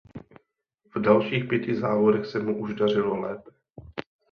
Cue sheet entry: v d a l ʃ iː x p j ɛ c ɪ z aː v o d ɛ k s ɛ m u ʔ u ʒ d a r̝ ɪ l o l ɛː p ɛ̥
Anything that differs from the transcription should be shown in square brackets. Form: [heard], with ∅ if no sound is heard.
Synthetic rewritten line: v d a l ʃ iː x p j ɛ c ɪ z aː v o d ɛ [x] s ɛ m u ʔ u ʒ d a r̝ ɪ l o l ɛː p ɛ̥